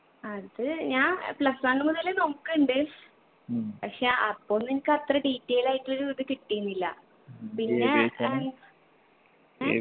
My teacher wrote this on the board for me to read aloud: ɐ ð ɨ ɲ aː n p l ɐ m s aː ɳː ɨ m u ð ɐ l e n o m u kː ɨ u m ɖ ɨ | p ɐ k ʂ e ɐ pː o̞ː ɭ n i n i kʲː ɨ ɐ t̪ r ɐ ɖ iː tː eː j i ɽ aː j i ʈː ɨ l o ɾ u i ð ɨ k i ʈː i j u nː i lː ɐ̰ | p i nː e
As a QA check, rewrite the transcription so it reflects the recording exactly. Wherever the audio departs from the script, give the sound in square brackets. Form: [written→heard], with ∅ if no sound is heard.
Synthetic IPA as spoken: ɐ ð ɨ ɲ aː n p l ɐ [m→∅] s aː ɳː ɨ m u ð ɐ l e n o m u kː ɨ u [m→ɳ] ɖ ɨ | p ɐ k ʂ e ɐ pː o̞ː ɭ n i n i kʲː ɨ ɐ t̪ r ɐ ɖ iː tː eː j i [ɽ→l] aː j i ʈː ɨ l o ɾ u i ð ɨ k i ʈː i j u nː i lː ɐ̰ | p i nː e

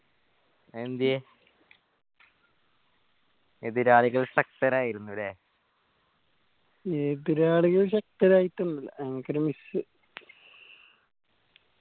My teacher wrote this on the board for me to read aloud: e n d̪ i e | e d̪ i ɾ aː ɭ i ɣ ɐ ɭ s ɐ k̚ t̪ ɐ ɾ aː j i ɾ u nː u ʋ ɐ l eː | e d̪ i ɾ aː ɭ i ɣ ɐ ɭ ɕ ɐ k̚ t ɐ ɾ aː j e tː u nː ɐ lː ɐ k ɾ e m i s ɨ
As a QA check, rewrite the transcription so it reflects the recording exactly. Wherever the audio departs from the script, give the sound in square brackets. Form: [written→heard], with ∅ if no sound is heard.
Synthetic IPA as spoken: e n d̪ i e | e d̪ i ɾ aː ɭ i ɣ ɐ ɭ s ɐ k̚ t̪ ɐ ɾ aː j i ɾ u nː u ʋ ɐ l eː | e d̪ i ɾ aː ɭ i ɣ ɐ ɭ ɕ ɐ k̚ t ɐ ɾ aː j [e→i] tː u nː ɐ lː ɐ k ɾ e m i s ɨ

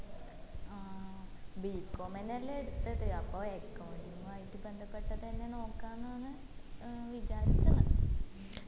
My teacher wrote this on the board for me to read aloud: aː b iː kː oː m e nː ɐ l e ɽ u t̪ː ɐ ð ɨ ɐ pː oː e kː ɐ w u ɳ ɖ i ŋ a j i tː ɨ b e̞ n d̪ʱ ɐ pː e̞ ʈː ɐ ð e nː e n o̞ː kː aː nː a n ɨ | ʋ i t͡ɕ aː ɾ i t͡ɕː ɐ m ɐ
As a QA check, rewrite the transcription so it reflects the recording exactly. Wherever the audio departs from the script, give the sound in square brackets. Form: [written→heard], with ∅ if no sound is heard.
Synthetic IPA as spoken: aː b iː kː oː m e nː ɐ l e ɽ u t̪ː ɐ ð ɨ ɐ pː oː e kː ɐ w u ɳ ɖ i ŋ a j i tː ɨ b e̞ n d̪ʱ ɐ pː e̞ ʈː ɐ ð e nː e n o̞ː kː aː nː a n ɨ | ʋ i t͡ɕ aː ɾ i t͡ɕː ɐ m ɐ

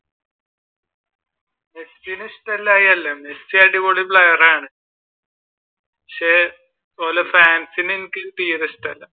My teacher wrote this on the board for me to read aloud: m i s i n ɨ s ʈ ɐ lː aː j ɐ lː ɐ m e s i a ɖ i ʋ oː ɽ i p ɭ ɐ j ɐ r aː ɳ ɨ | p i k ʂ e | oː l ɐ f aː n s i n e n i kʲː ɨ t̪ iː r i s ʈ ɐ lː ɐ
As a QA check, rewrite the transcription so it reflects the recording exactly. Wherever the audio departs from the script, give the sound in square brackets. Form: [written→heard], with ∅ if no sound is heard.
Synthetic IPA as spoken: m [i→e] s i n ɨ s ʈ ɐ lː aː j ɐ lː ɐ m e s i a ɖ i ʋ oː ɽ i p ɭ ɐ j ɐ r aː ɳ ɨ | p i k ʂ e | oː l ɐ f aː n s i n e n i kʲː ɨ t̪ iː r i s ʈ ɐ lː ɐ

